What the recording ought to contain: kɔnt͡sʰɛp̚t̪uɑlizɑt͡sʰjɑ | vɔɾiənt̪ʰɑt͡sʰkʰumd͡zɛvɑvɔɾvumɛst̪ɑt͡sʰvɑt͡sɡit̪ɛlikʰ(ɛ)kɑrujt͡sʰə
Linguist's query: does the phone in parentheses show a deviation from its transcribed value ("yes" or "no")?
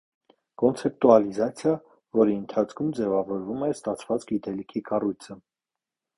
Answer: yes